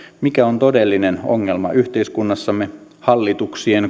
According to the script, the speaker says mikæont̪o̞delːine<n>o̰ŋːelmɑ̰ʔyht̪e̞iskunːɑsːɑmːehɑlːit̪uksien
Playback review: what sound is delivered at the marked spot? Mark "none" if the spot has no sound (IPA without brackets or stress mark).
n